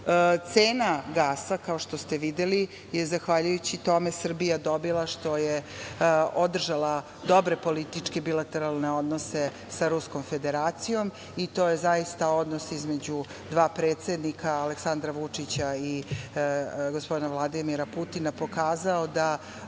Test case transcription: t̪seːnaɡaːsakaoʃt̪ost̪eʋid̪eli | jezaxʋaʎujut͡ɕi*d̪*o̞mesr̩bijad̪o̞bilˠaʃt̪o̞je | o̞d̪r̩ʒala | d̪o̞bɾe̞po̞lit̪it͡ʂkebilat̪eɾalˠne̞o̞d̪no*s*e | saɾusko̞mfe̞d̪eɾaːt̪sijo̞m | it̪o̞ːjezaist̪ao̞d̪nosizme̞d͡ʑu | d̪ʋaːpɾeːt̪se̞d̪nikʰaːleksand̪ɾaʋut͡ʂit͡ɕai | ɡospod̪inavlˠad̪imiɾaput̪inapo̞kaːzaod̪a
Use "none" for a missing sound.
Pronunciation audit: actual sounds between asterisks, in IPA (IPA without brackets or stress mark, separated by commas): t̪, s